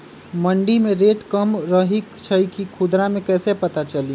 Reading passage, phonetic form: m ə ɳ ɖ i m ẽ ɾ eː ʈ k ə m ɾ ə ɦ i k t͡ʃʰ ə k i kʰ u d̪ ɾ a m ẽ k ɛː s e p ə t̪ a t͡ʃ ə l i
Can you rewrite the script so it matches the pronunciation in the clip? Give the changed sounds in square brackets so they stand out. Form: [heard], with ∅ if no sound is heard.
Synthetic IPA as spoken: m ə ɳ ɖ i m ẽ ɾ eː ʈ k ə m ɾ ə ɦ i k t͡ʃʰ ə k i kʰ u d̪ ɾ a m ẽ k ɛː s e p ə t̪ a t͡ʃ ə l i